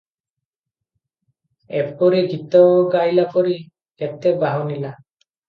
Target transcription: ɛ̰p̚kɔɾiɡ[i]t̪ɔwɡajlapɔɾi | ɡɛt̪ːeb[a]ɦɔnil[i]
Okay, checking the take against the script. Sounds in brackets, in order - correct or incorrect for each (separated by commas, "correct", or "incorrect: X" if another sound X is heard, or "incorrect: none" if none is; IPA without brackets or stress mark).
correct, correct, incorrect: a